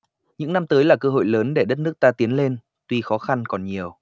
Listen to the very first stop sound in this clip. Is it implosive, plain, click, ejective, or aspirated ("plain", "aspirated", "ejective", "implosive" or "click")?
plain